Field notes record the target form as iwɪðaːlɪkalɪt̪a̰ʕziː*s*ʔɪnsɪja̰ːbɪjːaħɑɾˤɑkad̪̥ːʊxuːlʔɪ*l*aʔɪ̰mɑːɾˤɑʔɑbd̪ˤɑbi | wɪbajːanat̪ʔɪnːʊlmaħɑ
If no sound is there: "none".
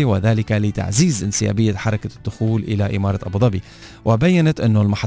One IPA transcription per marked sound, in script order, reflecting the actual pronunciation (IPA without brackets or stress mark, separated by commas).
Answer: z, l